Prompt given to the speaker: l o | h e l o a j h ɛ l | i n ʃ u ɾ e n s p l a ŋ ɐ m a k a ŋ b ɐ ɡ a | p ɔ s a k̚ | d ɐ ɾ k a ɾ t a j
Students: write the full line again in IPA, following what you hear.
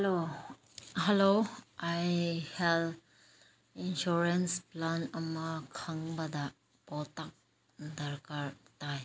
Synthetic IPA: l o | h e l o a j h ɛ l | i n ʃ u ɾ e n s p l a n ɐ m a kʰ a ŋ b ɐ d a | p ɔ t a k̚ | d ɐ ɾ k a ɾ t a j

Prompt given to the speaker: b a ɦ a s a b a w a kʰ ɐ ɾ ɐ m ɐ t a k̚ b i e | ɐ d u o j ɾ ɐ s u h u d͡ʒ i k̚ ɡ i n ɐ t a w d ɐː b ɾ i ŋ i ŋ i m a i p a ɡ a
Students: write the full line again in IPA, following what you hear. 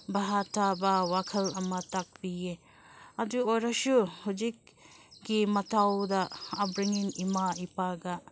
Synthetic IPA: b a ɦ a t a b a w a kʰ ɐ l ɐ m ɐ t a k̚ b i e | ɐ d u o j ɾ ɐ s u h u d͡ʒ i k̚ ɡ i m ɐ t a w d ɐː b ɾ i ŋ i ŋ i m a i p a ɡ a

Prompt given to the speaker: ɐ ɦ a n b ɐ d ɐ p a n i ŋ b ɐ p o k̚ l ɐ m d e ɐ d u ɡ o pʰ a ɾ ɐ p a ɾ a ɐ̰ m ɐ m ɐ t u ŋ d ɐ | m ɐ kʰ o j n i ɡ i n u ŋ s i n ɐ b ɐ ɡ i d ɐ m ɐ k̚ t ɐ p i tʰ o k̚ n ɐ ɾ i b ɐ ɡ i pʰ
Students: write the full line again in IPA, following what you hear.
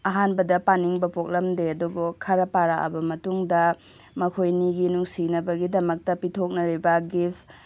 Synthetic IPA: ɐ ɦ a n b ɐ d ɐ p a n i ŋ b ɐ p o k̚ l ɐ m d e ɐ d u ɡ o kʰ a ɾ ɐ p a ɾ a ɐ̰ b ɐ m ɐ t u ŋ d ɐ | m ɐ kʰ o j n i ɡ i n u ŋ s i n ɐ b ɐ ɡ i d ɐ m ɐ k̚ t ɐ p i tʰ o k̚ n ɐ ɾ i b ɐ ɡ i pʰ

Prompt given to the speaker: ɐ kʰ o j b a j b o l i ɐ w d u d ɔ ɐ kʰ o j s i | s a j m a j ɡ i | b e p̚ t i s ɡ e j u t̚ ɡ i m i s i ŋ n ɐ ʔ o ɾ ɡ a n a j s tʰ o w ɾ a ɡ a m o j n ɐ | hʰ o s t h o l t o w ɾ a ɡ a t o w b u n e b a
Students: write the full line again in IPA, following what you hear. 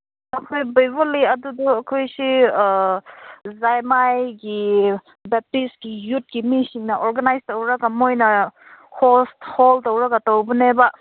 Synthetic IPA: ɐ kʰ o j b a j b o l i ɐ d u d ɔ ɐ kʰ o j s i | z a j m a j ɡ i | b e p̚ t i s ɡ i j u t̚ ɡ i m i s i ŋ n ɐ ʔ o ɾ ɡ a n a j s t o w ɾ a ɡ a m o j n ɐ | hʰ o s t h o l t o w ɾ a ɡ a t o w b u n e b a

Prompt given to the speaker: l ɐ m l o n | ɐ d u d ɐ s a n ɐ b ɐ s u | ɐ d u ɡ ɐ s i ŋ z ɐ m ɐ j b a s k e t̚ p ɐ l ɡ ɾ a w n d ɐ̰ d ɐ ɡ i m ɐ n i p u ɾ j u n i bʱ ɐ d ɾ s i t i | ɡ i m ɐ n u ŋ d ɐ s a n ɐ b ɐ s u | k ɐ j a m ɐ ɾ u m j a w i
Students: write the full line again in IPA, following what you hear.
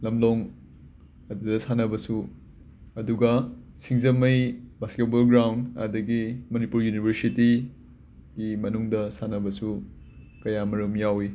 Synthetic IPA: l ɐ m l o ŋ | ɐ d u d ɐ s a n ɐ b ɐ s u | ɐ d u ɡ ɐ s i ŋ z ɐ m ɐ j b a s k e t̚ b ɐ l ɡ ɾ a w n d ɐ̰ d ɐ ɡ i m ɐ n i p u ɾ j u n i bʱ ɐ ɾ s i t i | ɡ i m ɐ n u ŋ d ɐ s a n ɐ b ɐ s u | k ɐ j a m ɐ ɾ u m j a w i

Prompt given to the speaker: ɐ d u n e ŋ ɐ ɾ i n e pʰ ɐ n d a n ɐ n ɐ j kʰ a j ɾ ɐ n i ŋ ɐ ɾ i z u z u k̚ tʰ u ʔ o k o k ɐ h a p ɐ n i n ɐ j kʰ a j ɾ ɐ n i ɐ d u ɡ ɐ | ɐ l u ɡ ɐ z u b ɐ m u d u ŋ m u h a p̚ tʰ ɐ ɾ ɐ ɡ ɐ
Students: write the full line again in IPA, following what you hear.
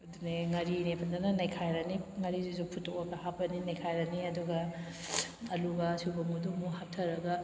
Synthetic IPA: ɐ d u n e ŋ ɐ ɾ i n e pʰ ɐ n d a n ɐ n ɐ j kʰ a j ɾ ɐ n i ŋ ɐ ɾ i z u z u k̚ pʰ u t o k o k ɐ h a p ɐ n i n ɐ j kʰ a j ɾ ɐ n i ɐ d u ɡ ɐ | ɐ l u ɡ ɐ s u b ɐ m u d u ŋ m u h a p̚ tʰ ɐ ɾ ɐ ɡ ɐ

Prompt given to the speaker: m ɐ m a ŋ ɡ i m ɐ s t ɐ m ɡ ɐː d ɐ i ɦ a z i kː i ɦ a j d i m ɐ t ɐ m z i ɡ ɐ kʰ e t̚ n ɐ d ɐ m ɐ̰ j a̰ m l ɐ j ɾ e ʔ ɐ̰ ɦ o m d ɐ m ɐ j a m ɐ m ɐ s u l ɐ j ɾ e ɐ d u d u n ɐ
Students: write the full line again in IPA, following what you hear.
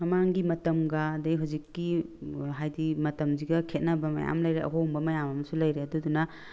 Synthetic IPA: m ɐ m a ŋ ɡ i m ɐ t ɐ m ɡ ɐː d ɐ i ɦ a z i kː i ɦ a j d i m ɐ t ɐ m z i ɡ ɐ kʰ e t̚ n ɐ b ɐ m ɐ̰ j a̰ m l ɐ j ɾ e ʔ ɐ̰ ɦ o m b ɐ m ɐ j a m ɐ m ɐ s u l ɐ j ɾ e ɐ d u d u n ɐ

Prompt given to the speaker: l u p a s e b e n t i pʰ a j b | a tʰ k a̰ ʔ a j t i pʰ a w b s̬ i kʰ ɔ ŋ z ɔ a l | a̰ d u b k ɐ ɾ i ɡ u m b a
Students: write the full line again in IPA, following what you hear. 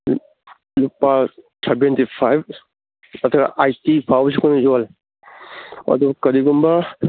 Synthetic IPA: l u p a s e b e n t i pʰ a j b | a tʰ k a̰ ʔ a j t i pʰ a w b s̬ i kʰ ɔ n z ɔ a l | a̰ d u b k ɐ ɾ i ɡ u m b a

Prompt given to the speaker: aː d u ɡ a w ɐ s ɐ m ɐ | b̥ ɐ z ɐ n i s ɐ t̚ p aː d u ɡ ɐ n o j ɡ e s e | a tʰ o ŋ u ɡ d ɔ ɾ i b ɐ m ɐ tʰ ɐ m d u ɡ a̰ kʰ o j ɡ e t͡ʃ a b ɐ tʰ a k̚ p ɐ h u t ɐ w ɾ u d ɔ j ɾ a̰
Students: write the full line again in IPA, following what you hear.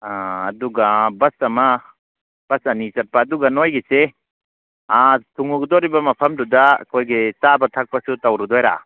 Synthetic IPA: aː d u ɡ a b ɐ s ɐ m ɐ | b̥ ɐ s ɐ n i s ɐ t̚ p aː d u ɡ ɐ n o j ɡ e s e | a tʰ u ŋ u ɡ d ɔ ɾ i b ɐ m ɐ pʰ ɐ m d u d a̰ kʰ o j ɡ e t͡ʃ a b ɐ tʰ a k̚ p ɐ s u t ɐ w ɾ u d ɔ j ɾ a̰

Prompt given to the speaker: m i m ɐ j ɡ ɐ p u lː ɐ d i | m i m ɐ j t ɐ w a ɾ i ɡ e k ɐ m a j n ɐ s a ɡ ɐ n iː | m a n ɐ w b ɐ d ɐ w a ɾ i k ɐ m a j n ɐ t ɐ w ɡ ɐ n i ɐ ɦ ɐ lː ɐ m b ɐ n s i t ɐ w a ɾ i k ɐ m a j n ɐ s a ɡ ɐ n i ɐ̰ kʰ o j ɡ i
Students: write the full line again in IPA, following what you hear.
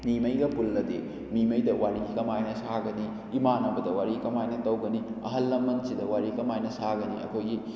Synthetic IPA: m i m ɐ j ɡ ɐ p u lː ɐ d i | m i m ɐ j d ɐ w a ɾ i ɡ i k ɐ m a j n ɐ s a ɡ ɐ n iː | m a n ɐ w b ɐ d ɐ w a ɾ i k ɐ m a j n ɐ t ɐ w ɡ ɐ n i ɐ ɦ ɐ lː ɐ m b ɐ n s i d ɐ w a ɾ i k ɐ m a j n ɐ s a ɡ ɐ n i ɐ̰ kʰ o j ɡ i

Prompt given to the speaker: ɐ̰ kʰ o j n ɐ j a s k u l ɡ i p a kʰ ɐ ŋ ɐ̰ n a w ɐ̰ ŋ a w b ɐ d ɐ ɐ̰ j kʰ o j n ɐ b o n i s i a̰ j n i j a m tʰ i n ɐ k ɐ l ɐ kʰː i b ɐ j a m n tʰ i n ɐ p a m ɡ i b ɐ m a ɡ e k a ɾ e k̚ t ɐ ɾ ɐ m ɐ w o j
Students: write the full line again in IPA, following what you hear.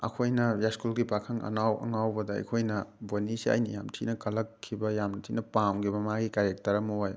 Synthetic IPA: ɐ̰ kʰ o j n ɐ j a s k u l ɡ i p a kʰ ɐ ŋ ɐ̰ n a w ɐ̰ ŋ a w b ɐ d ɐ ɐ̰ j kʰ o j n ɐ b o n i s i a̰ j n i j a m tʰ i n ɐ k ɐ l ɐ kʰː i b ɐ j a m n tʰ i n ɐ p a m ɡ i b ɐ m a ɡ i k a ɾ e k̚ t ɐ ɾ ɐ m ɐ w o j

